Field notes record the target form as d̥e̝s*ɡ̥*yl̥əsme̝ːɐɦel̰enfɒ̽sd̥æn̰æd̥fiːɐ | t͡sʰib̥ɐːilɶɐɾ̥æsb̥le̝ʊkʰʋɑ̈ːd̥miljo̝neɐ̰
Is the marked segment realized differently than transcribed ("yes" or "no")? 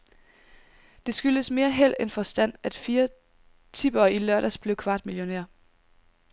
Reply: no